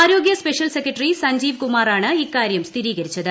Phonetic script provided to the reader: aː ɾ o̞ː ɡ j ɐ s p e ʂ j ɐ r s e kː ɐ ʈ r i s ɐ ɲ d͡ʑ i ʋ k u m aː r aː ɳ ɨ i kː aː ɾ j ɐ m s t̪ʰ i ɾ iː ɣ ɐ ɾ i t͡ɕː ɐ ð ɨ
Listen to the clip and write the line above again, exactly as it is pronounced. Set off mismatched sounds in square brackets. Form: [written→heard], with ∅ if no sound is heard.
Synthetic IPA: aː ɾ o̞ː ɡ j ɐ s p e ʂ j ɐ [r→l] s e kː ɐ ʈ r i s ɐ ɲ d͡ʑ [i→iː] ʋ k u m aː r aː ɳ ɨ i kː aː ɾ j ɐ m s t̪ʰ i ɾ iː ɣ ɐ ɾ i t͡ɕː ɐ ð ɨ